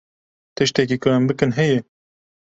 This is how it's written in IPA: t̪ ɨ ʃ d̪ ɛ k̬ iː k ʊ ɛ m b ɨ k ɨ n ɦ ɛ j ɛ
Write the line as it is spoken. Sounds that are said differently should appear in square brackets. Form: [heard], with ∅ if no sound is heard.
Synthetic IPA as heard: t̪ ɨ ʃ [t̪] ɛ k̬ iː k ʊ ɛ m b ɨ k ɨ n ɦ ɛ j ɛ